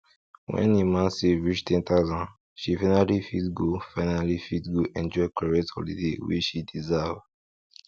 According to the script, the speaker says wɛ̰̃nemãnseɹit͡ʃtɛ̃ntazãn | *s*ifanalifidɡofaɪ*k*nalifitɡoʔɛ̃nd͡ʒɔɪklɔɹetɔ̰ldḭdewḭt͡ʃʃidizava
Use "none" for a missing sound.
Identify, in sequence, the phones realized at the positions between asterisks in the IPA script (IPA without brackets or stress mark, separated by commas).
ʃ, none